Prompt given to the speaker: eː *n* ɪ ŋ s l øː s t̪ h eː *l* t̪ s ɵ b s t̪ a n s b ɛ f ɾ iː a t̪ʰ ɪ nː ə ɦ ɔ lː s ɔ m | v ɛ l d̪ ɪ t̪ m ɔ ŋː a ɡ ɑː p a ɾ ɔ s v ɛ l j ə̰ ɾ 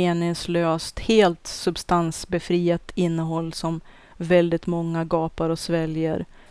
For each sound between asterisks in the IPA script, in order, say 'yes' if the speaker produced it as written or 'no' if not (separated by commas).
yes, yes